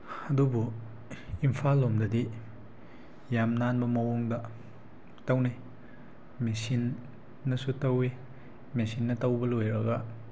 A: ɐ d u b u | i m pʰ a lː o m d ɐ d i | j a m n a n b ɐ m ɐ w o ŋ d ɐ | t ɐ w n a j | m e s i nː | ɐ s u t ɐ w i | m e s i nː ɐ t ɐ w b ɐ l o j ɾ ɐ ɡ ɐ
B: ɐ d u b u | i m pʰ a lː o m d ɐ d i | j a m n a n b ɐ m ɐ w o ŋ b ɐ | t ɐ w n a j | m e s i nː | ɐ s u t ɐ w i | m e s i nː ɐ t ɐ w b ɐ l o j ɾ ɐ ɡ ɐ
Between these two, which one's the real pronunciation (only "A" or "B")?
A